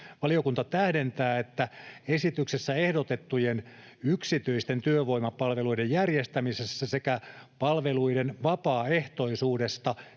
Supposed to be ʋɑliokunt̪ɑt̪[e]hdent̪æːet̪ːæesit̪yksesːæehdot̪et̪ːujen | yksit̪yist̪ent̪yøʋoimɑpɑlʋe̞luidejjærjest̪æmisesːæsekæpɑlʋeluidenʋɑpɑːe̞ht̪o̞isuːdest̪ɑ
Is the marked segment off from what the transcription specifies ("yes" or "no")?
yes